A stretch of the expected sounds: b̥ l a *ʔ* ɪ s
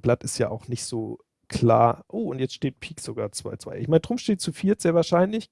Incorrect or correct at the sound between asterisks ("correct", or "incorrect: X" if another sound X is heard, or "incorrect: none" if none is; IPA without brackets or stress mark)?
incorrect: t